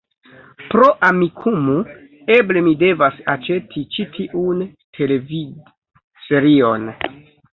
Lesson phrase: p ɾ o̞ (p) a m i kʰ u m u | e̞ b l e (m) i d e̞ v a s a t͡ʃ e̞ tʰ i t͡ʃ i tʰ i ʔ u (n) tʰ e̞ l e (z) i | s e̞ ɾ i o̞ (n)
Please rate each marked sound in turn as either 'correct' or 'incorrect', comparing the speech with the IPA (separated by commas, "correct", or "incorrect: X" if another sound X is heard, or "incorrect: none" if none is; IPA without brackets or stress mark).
incorrect: ʔ, correct, correct, incorrect: v, correct